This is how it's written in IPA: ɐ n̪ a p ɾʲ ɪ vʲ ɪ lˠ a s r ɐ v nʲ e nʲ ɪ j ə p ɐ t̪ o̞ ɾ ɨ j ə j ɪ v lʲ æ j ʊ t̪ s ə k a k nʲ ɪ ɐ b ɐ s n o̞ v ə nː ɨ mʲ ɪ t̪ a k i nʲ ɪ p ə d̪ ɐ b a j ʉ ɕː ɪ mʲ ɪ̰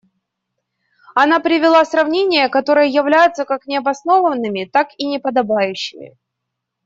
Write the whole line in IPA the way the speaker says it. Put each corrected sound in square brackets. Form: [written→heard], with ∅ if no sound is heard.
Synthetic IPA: ɐ n̪ a p ɾʲ ɪ vʲ ɪ lˠ a s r ɐ v nʲ e nʲ ɪ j ə [p→k] ɐ t̪ o̞ ɾ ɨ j ə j ɪ v lʲ æ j ʊ t̪ s ə k a k nʲ ɪ ɐ b ɐ s n o̞ v ə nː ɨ mʲ ɪ t̪ a k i nʲ ɪ p ə d̪ ɐ b a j ʉ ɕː ɪ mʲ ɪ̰